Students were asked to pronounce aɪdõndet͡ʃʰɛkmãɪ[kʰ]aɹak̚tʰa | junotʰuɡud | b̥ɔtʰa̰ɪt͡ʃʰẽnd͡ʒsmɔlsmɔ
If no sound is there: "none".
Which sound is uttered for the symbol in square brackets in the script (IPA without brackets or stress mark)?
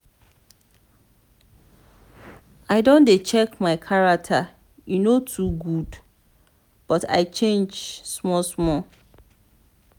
kʰ